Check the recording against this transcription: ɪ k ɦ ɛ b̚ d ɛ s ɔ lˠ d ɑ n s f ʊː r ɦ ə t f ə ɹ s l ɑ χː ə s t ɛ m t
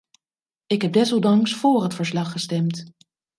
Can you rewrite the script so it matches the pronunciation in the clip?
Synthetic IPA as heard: ɪ k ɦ ɛ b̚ d ɛ s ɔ lˠ d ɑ ŋ s f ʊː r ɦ ə t f ə ɹ s l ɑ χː ə s t ɛ m t